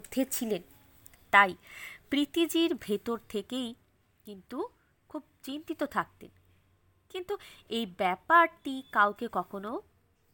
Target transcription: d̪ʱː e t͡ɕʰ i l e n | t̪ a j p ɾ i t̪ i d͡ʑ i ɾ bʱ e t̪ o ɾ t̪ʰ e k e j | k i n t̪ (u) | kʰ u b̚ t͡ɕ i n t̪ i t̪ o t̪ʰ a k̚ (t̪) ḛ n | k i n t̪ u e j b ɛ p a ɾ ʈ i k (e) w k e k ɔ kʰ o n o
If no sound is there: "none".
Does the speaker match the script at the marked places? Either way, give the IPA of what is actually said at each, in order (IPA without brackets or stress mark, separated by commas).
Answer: u, t̪, a